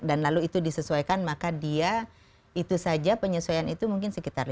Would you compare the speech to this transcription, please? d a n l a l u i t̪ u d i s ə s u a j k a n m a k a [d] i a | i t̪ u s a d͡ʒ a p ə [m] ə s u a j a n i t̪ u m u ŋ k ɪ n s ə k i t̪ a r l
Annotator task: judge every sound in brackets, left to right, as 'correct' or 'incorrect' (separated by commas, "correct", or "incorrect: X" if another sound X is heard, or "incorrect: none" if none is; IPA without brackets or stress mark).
correct, incorrect: ɲ